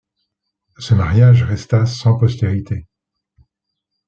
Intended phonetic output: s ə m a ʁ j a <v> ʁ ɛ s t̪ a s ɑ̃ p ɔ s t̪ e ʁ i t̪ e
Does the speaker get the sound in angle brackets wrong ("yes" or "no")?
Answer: yes